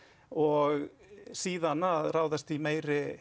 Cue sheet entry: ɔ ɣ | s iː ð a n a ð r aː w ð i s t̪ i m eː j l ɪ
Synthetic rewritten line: ɔ ɣ | s iː ð a n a ð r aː w ð a s t̪ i m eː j ɾ ɪ